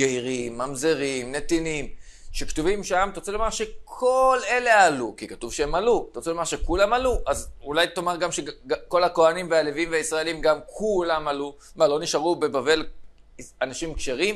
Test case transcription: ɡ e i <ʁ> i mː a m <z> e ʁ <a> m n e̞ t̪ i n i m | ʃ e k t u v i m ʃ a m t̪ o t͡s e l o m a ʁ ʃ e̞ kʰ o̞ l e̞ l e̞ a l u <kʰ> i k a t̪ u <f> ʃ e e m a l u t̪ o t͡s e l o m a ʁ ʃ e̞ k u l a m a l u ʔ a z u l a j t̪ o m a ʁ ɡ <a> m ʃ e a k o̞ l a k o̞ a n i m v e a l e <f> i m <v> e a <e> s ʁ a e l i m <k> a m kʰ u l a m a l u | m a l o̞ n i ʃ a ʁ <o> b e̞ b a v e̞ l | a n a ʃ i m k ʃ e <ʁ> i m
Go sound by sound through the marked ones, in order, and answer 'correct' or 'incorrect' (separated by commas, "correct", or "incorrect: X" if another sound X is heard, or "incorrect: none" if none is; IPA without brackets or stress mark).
correct, correct, incorrect: i, incorrect: k, incorrect: v, correct, incorrect: v, correct, incorrect: i, incorrect: ɡ, incorrect: u, correct